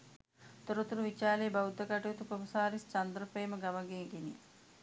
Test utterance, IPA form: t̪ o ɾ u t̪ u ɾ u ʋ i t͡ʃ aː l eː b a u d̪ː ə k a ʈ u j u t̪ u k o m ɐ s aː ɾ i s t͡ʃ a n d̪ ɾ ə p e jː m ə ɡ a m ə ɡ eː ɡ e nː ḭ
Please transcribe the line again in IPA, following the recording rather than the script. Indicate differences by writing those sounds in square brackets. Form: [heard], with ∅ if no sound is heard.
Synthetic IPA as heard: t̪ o ɾ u t̪ u ɾ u ʋ i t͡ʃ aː l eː b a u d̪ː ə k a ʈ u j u t̪ u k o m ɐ s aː ɾ i s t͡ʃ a n d̪ ɾ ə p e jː m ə ɡ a m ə ɡ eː ɡ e [n] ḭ